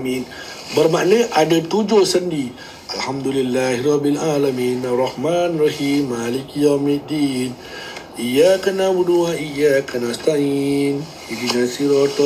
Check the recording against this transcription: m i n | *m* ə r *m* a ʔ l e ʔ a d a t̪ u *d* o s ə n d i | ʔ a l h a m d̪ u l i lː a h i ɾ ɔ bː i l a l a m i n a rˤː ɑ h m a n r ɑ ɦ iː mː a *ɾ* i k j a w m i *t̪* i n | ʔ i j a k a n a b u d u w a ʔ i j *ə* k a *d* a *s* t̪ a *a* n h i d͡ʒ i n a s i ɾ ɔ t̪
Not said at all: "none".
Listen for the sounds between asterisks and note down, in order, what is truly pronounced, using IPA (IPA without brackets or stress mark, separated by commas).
b, m, d͡ʒ, l, d̪, a, n, s, i